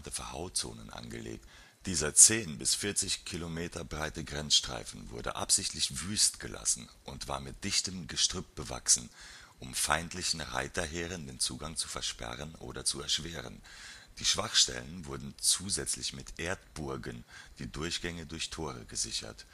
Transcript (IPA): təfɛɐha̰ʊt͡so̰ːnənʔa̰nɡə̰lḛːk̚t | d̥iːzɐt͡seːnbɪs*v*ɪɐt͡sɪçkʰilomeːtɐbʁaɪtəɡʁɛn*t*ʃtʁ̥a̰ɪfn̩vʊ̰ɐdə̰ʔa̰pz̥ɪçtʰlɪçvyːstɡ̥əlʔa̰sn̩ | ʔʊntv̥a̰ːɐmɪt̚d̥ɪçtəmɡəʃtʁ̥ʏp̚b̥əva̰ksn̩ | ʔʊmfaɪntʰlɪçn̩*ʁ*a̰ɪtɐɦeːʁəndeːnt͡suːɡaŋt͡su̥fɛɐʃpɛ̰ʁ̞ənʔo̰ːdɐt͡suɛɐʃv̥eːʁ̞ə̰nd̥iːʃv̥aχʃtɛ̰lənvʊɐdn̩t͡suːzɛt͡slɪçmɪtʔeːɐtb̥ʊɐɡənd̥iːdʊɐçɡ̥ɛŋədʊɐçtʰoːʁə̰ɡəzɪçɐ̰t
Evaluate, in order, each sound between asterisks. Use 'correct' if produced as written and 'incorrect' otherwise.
incorrect: f, incorrect: s, correct

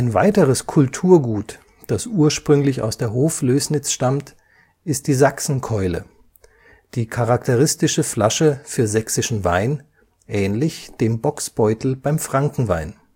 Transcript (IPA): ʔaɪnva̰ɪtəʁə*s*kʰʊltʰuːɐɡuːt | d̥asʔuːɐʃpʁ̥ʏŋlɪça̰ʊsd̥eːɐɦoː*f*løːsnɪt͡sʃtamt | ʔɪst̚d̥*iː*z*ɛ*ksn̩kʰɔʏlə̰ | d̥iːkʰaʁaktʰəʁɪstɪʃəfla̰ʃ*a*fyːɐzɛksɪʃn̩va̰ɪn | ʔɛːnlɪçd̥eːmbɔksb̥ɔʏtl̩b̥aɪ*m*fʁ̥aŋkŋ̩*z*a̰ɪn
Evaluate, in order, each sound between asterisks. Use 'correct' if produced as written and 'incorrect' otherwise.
correct, correct, correct, incorrect: a, incorrect: ə, correct, incorrect: v

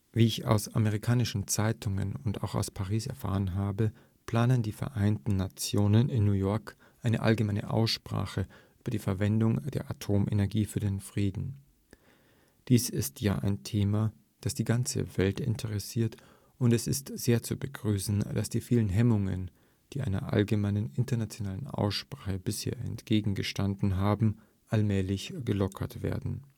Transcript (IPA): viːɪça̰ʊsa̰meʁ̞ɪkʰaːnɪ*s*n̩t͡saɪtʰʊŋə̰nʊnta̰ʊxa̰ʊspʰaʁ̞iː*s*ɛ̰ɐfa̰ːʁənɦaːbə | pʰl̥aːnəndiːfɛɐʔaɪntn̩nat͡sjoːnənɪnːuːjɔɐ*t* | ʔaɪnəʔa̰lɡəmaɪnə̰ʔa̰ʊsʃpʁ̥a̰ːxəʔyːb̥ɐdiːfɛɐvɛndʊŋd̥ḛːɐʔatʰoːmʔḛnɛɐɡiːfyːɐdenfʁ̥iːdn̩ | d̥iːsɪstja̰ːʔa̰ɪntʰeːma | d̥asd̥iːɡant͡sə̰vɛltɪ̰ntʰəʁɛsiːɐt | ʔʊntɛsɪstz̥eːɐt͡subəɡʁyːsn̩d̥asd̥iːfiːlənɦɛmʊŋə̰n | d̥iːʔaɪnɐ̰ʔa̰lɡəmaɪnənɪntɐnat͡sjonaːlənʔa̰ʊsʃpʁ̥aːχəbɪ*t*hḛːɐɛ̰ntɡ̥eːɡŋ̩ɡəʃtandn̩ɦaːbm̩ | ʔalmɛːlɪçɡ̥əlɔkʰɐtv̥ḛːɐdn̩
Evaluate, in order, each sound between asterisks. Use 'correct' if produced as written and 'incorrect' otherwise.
incorrect: ʃ, correct, incorrect: k, incorrect: s

